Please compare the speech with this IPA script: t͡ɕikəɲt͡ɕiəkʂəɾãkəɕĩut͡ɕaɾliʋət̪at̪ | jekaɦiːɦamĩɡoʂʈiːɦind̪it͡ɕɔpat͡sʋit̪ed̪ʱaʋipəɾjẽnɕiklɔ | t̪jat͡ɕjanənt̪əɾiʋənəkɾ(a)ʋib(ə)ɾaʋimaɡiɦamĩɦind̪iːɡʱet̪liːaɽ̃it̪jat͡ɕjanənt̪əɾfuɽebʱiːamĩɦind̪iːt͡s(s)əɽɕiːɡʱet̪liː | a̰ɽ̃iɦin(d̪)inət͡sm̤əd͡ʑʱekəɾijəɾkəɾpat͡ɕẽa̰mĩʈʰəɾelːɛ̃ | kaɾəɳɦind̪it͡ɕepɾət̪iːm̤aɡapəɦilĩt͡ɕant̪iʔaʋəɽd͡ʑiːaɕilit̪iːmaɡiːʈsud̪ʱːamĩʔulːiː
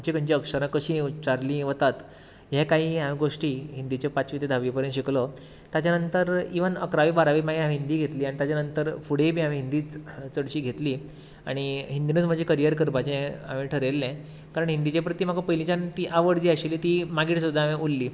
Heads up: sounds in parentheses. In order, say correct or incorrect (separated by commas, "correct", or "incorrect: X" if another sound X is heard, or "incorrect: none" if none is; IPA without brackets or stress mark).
correct, incorrect: a, incorrect: t͡s, correct